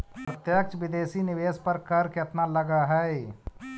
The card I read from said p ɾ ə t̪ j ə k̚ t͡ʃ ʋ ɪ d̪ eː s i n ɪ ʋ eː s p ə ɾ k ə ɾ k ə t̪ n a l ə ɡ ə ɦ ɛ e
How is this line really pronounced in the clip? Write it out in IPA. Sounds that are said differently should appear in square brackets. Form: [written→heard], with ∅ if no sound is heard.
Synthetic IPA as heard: p ɾ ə t̪ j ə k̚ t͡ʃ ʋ ɪ d̪ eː s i n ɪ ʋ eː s p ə ɾ k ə ɾ k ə t̪ n a l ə ɡ [ə→a] ɦ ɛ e